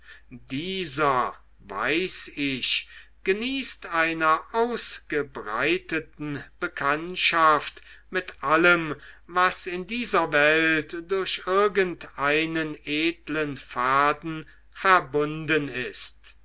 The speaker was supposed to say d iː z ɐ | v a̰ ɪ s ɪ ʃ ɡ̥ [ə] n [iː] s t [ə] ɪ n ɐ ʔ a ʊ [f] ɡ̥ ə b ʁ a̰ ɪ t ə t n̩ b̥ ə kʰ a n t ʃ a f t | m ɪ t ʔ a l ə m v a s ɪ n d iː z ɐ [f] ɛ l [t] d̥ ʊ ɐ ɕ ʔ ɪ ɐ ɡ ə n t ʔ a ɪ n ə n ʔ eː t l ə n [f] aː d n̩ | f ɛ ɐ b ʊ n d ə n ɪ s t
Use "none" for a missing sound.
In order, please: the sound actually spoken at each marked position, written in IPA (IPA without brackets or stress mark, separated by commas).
ə, iː, a, s, v, t, f